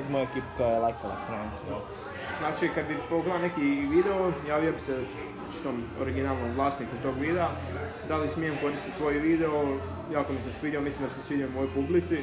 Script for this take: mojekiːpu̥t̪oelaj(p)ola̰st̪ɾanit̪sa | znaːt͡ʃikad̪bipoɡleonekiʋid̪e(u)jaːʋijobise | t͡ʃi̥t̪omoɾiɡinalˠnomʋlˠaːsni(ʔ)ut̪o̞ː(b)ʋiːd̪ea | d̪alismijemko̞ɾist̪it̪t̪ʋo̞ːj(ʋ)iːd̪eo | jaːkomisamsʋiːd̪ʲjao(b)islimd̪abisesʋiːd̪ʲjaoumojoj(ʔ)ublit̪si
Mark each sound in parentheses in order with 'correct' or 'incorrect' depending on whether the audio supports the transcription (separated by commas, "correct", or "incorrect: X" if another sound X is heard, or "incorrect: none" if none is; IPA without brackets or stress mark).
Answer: incorrect: k, incorrect: o, incorrect: k, incorrect: ɡ, correct, incorrect: m, incorrect: p